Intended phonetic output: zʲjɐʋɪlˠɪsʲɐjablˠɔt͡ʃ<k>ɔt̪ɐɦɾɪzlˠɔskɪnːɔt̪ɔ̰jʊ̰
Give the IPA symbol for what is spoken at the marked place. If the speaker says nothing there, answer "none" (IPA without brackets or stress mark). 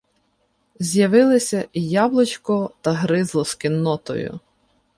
k